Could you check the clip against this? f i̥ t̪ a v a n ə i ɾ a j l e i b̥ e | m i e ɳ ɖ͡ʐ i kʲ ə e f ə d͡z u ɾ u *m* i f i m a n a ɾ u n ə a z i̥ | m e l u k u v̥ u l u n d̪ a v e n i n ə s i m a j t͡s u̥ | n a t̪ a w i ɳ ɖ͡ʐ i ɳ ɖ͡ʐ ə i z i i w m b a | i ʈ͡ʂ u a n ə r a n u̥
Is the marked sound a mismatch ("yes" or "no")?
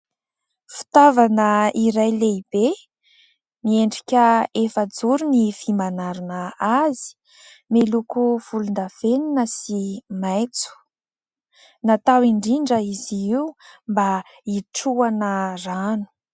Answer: yes